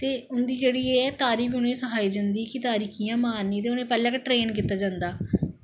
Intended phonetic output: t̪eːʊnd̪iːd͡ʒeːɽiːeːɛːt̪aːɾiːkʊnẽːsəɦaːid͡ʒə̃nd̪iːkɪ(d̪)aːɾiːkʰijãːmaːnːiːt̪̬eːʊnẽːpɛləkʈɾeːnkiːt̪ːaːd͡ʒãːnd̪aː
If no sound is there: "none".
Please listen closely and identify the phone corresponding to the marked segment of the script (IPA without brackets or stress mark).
t̪